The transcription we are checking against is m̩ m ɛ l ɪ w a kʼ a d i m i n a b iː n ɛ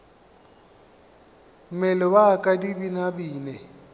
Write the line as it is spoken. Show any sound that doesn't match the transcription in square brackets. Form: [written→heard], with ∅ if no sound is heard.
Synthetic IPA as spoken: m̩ m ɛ l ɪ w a kʼ a d i [m→b] i n a b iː n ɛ